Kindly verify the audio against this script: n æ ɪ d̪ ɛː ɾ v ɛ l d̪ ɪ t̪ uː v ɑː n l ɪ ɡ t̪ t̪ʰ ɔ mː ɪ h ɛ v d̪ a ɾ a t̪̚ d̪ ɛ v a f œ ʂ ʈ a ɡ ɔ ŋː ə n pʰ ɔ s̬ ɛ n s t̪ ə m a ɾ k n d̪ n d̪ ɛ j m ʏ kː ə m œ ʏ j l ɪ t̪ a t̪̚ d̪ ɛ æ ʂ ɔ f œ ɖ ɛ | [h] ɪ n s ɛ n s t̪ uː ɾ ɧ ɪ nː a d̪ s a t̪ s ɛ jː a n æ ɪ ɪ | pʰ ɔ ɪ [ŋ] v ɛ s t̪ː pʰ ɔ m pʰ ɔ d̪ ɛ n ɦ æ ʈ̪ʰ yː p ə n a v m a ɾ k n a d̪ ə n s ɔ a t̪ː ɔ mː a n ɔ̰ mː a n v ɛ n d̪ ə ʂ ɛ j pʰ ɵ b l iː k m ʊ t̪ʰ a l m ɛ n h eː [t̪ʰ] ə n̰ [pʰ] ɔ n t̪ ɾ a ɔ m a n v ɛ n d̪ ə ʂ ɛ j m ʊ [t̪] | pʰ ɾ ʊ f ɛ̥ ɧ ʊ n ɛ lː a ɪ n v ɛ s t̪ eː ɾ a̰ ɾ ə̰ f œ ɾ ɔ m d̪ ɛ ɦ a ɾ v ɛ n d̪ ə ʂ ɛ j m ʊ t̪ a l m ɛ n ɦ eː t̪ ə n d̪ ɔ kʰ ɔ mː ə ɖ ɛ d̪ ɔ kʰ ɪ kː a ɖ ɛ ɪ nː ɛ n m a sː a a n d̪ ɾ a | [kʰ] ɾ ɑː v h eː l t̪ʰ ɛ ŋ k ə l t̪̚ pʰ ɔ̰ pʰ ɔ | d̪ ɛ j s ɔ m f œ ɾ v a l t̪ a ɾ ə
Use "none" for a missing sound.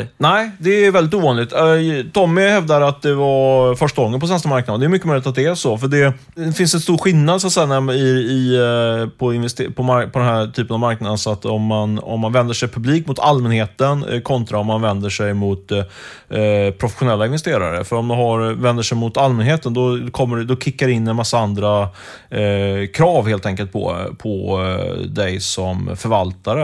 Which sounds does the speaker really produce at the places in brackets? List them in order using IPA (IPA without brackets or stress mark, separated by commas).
f, n, t̪, kʰ, t̪, kʰ